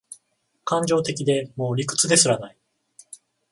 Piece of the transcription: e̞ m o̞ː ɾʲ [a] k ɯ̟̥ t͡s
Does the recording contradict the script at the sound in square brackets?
yes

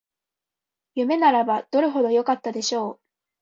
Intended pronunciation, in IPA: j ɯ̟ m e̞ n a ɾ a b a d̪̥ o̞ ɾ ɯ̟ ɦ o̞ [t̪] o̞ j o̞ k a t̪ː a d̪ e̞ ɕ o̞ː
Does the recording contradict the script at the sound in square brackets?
yes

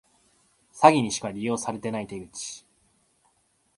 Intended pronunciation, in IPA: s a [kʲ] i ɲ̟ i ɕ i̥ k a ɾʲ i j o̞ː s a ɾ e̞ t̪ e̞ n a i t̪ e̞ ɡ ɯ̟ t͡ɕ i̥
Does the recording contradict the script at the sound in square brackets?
yes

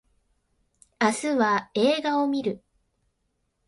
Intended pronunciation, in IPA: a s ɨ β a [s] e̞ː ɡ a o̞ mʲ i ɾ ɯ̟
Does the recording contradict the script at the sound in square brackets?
yes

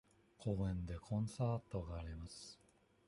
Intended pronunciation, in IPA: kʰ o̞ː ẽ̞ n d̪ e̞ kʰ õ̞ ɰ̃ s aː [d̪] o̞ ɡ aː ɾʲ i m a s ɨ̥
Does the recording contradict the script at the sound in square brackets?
yes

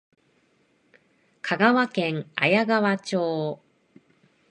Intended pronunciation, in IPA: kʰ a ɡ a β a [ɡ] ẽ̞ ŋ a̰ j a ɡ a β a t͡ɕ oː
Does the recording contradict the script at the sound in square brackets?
yes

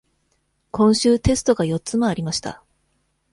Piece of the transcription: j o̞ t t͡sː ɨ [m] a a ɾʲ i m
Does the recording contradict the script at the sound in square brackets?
no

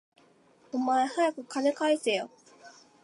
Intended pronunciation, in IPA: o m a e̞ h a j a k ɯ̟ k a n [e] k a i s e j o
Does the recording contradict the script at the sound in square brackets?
no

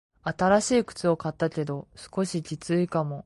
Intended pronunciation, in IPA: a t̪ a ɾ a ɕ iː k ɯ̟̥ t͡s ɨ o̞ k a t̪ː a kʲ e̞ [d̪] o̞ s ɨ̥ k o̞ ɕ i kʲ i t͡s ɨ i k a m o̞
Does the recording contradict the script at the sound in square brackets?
no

